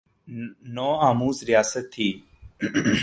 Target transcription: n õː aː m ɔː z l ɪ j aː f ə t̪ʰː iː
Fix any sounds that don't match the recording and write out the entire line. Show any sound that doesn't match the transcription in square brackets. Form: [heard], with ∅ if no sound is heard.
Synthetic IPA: n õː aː m [uː] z [ɾ] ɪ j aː [s] ə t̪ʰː iː